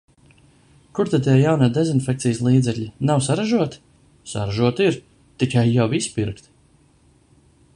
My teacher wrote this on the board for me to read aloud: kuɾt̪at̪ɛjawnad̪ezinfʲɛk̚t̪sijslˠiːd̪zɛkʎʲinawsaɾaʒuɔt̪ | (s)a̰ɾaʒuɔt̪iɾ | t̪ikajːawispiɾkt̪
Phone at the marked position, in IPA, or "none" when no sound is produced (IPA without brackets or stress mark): s